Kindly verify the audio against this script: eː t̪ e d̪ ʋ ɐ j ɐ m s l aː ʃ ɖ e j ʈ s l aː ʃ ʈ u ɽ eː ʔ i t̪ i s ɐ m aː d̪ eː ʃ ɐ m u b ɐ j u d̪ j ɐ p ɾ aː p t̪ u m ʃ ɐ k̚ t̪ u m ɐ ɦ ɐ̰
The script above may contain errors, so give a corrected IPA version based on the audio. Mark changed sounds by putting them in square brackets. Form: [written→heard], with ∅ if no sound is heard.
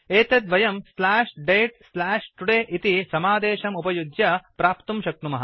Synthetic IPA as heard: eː t̪ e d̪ ʋ ɐ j ɐ m s l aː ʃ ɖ e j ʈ s l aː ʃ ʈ u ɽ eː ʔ i t̪ i s ɐ m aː d̪ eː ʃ ɐ m u [b→p] ɐ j u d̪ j ɐ p ɾ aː p t̪ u m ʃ ɐ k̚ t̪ u m ɐ ɦ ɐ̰